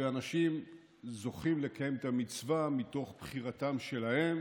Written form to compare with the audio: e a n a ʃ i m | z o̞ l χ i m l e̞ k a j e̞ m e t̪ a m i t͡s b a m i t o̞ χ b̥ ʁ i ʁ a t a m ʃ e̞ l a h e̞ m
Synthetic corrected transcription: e a n a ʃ i m | z o̞ χ i m l e̞ k a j e̞ m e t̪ a m i t͡s v a m i t o̞ χ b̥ χ i ʁ a t a m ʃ e̞ l a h e̞ m